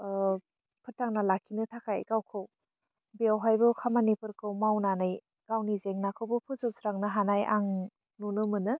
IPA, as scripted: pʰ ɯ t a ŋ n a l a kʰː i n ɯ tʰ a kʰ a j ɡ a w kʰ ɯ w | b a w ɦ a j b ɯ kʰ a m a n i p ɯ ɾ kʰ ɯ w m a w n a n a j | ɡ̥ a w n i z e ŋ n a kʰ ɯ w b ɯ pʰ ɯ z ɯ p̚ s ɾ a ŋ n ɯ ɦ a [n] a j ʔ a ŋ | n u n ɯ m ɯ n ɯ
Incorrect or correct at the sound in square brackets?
correct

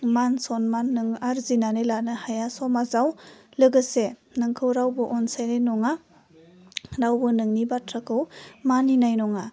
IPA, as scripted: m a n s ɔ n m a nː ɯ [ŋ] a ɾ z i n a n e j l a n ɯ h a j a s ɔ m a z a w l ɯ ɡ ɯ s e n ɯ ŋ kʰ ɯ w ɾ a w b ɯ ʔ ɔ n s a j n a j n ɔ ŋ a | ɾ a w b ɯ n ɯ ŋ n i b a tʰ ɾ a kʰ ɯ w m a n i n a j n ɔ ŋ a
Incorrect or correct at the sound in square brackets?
correct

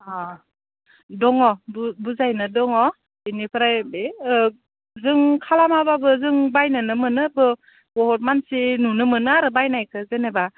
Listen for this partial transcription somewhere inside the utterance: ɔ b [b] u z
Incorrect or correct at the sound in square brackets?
correct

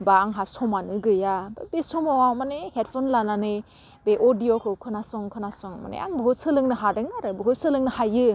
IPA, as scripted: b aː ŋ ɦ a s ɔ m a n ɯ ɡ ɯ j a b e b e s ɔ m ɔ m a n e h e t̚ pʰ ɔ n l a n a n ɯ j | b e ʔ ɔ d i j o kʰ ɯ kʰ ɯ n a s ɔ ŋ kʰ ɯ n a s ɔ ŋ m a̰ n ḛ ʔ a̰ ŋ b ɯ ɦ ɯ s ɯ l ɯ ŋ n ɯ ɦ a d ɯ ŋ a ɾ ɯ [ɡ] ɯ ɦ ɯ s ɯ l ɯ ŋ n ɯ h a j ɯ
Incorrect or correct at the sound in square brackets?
incorrect: b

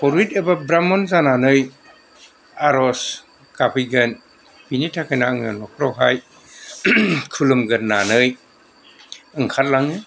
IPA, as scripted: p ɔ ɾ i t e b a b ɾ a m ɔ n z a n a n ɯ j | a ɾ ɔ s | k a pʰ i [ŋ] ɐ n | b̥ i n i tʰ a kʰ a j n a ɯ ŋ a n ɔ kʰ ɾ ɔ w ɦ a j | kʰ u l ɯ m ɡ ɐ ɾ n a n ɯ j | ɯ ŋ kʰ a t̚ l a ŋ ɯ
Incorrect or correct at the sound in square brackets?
incorrect: ɡ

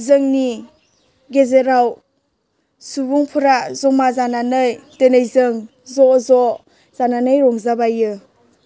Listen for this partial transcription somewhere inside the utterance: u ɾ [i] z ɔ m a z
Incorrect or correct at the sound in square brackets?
incorrect: a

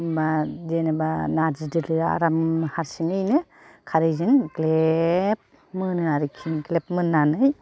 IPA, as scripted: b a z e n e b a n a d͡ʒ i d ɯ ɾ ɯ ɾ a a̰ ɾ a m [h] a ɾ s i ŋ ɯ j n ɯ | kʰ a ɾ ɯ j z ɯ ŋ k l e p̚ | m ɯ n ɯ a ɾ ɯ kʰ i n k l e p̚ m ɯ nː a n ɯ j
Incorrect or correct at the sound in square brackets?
correct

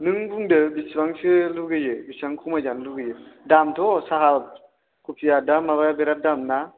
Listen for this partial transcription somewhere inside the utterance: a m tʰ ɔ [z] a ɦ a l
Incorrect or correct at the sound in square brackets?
incorrect: s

